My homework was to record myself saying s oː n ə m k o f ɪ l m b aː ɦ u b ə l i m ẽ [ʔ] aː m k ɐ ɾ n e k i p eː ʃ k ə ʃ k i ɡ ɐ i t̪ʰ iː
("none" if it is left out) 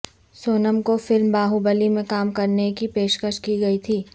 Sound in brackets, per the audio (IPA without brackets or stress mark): k